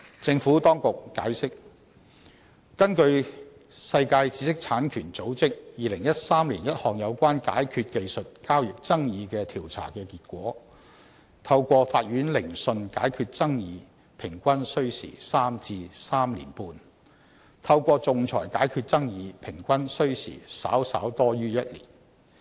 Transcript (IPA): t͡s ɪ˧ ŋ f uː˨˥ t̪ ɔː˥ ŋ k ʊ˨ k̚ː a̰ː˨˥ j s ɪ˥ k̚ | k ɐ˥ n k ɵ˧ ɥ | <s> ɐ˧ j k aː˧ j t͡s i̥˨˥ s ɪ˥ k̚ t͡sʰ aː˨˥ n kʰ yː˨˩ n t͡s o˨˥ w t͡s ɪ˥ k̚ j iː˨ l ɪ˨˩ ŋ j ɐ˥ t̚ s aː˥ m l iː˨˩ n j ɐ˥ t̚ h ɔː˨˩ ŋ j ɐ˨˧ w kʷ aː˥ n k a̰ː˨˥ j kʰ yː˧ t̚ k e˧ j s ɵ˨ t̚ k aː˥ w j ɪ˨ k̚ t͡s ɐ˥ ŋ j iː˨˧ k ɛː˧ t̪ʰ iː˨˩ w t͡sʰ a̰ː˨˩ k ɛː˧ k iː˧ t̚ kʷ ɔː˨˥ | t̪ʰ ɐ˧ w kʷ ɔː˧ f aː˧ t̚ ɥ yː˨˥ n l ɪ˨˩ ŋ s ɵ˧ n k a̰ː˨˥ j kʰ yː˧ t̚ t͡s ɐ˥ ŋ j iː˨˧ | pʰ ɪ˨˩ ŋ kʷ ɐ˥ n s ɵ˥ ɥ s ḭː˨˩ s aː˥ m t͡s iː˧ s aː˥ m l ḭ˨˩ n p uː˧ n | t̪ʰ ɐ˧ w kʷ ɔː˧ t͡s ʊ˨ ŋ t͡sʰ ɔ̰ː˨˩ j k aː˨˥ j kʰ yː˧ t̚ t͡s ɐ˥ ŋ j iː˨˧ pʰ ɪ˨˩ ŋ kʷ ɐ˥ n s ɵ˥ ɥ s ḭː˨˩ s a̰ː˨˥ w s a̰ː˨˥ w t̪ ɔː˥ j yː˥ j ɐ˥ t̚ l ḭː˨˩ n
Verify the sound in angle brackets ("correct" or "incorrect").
correct